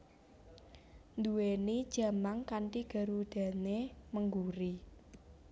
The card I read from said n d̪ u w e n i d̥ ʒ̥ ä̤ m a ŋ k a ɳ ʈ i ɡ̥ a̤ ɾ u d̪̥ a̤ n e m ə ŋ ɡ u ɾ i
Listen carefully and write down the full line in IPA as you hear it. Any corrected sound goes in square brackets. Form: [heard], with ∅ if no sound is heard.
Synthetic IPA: n d̪ u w e n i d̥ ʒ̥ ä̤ m a ŋ k a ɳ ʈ i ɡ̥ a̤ ɾ u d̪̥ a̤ n e m ə ŋ ɡ u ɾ i